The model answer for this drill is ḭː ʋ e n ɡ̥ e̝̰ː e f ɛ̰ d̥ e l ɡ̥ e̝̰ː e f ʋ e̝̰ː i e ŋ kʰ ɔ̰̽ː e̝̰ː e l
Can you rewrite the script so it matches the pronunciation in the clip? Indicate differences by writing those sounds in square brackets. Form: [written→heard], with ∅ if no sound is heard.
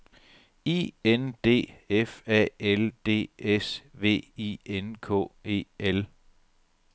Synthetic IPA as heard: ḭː [ʋ→∅] e n [ɡ̥→d̥] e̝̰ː e f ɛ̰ [d̥→∅] e l [ɡ̥→d̥] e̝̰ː e [f→s] ʋ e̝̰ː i e [ŋ→n] kʰ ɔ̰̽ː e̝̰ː e l

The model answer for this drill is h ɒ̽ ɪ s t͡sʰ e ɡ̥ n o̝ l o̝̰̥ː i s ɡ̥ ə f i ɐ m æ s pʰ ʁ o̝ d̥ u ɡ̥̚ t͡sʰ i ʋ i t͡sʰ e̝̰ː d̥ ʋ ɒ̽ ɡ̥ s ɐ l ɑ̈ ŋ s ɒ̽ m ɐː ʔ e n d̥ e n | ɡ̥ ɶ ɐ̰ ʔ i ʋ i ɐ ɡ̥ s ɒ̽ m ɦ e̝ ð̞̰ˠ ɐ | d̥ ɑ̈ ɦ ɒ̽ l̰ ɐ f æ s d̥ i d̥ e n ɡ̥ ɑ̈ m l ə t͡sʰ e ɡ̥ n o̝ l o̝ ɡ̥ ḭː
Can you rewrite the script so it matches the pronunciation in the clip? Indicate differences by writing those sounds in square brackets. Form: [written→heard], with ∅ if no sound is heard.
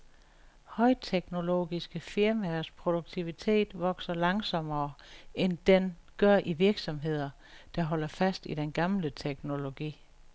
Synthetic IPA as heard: h ɒ̽ ɪ [s→∅] t͡sʰ e ɡ̥ n o̝ l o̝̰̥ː i s ɡ̥ ə f i ɐ m æ s pʰ ʁ o̝ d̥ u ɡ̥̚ t͡sʰ i ʋ i t͡sʰ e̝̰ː d̥ ʋ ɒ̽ ɡ̥ s ɐ l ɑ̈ ŋ s ɒ̽ m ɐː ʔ e n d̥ e n | ɡ̥ ɶ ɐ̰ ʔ i ʋ i ɐ ɡ̥ s ɒ̽ m ɦ e̝ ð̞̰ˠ ɐ | d̥ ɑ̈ ɦ ɒ̽ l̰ ɐ f æ s d̥ i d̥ e n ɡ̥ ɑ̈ m l ə t͡sʰ e ɡ̥ n o̝ l o̝ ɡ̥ ḭː

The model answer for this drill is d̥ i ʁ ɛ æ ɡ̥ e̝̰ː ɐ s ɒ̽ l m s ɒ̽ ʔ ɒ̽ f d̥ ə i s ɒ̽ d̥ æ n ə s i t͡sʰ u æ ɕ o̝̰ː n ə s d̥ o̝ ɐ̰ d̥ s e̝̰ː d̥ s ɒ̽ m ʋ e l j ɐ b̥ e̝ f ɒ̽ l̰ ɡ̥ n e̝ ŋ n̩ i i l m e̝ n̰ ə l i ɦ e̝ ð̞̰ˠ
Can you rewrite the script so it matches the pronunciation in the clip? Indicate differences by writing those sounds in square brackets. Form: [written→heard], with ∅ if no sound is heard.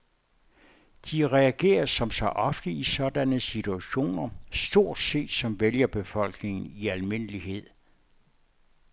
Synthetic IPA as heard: d̥ i ʁ ɛ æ ɡ̥ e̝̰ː ɐ s ɒ̽ [l→∅] m s ɒ̽ ʔ ɒ̽ f d̥ ə i s ɒ̽ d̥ æ n ə s i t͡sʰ u æ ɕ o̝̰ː n [ə→ɐ] s d̥ o̝ ɐ̰ d̥ s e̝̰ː d̥ s ɒ̽ m ʋ e l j ɐ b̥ e̝ f ɒ̽ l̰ ɡ̥ n e̝ ŋ n̩ i [i→æ] l m e̝ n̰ ə l i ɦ e̝ ð̞̰ˠ

